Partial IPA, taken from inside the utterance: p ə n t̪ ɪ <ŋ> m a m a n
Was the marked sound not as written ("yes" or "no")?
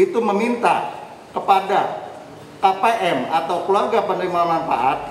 no